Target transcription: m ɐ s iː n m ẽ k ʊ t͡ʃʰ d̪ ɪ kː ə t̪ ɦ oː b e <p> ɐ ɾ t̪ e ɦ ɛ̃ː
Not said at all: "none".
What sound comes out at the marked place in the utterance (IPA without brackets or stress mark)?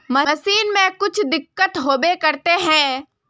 k